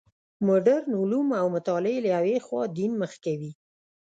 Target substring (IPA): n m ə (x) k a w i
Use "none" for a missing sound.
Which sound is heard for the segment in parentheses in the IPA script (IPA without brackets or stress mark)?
x